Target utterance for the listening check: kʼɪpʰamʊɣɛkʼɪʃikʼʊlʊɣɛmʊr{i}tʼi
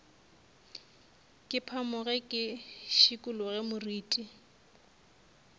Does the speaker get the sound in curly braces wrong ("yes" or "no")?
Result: yes